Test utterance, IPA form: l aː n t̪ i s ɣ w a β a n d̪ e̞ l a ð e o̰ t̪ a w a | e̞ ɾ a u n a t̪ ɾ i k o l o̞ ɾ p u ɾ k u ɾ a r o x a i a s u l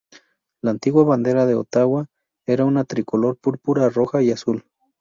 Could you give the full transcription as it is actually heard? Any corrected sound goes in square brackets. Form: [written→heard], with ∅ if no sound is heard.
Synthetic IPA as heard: l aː n t̪ i [s→∅] ɣ w a β a n d̪ e̞ [l→ɾ] a ð e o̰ t̪ a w a | e̞ ɾ a u n a t̪ ɾ i k o l o̞ ɾ p u ɾ [k→p] u ɾ a r o x a i a s u l